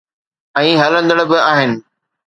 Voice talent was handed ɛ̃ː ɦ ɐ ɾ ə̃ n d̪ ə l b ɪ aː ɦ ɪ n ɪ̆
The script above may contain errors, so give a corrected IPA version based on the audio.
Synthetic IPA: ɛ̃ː ɦ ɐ l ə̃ n d̪ ə ɽ b ɪ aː ɦ ɪ n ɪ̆

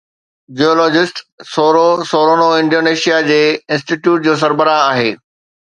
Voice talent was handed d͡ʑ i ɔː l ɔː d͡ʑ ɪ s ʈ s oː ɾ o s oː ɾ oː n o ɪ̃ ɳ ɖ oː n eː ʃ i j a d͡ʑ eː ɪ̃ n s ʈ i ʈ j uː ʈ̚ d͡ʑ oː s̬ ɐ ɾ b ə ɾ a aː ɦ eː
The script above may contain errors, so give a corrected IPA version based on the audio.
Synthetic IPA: d͡ʑ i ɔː l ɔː d͡ʑ ɪ s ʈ s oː ɾ o s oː ɾ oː n o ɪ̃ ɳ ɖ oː n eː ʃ i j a d͡ʑ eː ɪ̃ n s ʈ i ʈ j uː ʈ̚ d͡ʑ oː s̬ ɐ ɾ b ə ɾ a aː ɦ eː

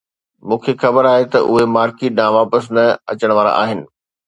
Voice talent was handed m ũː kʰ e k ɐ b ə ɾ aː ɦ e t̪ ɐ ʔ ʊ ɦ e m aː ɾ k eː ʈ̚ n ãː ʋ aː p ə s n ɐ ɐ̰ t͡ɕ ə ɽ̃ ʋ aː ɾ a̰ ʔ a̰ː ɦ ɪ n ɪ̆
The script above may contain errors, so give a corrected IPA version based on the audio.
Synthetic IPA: m ũː kʰ e x ɐ b ə ɾ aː ɦ e t̪ ɐ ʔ ʊ ɦ e m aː ɾ k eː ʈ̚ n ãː ʋ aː p ə s n ɐ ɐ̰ t͡ɕ ə ɽ̃ ʋ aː ɾ a̰ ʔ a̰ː ɦ ɪ n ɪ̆

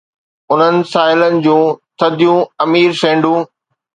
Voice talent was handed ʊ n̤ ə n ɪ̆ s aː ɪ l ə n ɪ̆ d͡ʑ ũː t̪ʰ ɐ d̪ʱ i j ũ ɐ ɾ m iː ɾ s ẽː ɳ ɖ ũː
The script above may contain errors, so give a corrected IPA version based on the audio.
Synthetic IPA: ʊ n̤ ə n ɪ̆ s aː ɪ l ə n ɪ̆ d͡ʑ ũː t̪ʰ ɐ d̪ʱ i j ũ ɐ m iː ɾ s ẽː ɳ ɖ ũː

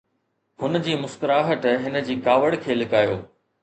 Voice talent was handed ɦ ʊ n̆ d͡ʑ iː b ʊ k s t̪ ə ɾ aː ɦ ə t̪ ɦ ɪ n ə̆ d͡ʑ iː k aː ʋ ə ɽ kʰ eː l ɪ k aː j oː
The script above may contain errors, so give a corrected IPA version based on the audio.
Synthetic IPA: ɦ ʊ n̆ d͡ʑ iː m ʊ s t̪ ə ɾ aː ɦ ə t̪ ɦ ɪ n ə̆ d͡ʑ iː k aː ʋ ə ɽ kʰ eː l ɪ k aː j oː

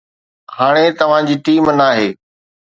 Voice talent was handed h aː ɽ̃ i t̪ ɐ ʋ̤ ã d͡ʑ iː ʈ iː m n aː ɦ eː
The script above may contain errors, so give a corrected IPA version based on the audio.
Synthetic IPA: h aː ɽ̃ e t̪ ɐ ʋ̤ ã d͡ʑ iː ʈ iː m n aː ɦ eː

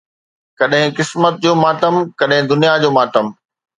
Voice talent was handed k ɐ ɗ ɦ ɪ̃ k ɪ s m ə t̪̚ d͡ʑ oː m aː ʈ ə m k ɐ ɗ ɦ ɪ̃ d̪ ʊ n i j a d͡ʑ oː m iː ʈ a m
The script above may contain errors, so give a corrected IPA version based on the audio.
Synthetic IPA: k ɐ ɗ ɦ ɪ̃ k ɪ s m ə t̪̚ d͡ʑ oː m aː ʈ ə m k ɐ ɗ ɦ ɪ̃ d̪ ʊ n i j a d͡ʑ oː m aː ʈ ə m

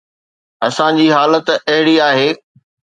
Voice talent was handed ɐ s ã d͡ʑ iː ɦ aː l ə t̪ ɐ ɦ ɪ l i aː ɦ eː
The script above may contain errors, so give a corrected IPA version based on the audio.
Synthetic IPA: ɐ s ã d͡ʑ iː ɦ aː l ə t̪ ɐ ɦ ɪ ɽ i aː ɦ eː

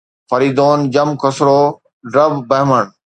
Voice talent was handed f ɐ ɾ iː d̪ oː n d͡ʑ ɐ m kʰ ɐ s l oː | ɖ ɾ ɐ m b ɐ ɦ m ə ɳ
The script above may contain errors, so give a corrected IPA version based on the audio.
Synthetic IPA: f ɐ ɾ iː d̪ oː n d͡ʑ ɐ m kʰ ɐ s ɾ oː | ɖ ɾ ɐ b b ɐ ɦ m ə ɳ

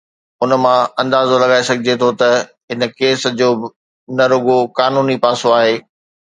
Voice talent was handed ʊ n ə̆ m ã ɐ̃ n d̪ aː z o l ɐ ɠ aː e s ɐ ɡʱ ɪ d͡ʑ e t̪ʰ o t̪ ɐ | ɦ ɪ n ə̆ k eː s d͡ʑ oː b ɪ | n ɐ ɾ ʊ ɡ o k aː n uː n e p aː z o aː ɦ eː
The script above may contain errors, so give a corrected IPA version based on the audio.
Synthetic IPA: ʊ n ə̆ m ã ɐ̃ n d̪ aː z o l ɐ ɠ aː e s ɐ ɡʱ ɪ d͡ʑ e t̪ʰ o t̪ ɐ | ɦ ɪ n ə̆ k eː s d͡ʑ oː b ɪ | n ɐ ɾ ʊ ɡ o k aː n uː n i p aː s o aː ɦ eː

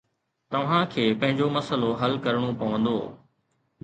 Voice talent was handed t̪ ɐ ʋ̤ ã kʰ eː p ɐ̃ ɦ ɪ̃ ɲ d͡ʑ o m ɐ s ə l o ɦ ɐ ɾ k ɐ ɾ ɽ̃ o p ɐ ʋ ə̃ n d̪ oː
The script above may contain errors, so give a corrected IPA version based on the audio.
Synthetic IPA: t̪ ɐ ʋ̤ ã kʰ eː p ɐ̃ ɦ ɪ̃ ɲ d͡ʑ o m ɐ s ə l o ɦ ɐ l k ɐ ɾ ɽ̃ o p ɐ ʋ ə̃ n d̪ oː

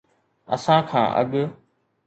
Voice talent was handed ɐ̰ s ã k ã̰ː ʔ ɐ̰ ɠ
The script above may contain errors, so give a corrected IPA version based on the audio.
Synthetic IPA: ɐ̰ s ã kʰ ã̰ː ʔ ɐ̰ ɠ

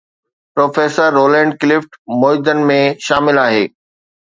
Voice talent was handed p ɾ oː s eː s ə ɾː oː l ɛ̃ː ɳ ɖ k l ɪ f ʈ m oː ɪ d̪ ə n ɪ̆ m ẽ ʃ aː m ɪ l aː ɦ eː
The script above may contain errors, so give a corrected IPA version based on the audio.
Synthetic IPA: p ɾ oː f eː s ə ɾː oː l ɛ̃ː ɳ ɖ k l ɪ f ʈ m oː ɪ d̪ ə n ɪ̆ m ẽ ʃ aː m ɪ l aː ɦ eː

